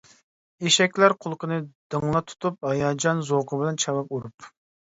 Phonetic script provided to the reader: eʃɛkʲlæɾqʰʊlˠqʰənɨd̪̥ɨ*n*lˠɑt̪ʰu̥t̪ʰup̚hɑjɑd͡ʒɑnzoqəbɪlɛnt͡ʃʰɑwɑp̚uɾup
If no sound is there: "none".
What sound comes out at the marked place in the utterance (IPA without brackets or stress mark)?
ŋ